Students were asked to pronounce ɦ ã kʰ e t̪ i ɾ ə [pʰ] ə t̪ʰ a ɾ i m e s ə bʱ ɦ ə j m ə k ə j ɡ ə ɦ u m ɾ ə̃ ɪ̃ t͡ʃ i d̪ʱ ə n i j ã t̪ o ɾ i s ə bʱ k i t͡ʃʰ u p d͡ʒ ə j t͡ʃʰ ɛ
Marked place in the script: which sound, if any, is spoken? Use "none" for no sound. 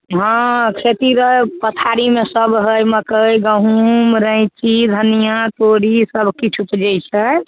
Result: p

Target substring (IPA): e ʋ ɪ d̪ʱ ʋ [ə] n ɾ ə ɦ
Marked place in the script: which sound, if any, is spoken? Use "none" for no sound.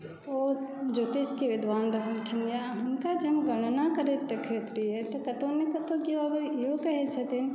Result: a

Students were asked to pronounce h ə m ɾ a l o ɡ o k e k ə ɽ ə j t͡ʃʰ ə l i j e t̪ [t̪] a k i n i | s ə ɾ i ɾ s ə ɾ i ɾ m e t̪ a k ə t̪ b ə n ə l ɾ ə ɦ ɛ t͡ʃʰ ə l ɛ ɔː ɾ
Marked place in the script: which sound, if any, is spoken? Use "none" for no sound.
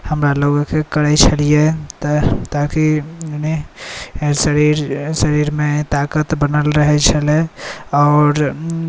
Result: t̪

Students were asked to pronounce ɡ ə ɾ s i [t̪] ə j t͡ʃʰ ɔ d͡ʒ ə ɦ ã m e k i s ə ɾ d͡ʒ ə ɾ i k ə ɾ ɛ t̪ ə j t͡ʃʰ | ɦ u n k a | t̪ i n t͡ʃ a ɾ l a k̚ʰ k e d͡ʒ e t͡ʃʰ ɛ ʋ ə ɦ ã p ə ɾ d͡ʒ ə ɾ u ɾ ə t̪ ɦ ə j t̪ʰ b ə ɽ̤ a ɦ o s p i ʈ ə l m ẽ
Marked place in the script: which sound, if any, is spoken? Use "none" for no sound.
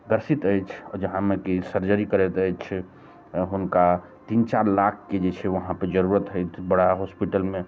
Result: t̪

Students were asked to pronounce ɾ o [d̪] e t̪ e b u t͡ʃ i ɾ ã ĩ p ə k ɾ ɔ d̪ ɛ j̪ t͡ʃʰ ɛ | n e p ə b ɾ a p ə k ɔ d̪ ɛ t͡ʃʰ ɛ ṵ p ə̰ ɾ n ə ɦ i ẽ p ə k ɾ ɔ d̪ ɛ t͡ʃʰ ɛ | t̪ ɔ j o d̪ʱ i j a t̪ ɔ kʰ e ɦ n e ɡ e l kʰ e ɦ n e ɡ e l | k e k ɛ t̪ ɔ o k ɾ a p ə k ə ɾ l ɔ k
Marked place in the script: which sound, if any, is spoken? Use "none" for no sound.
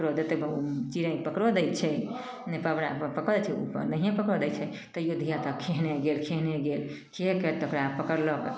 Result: d̪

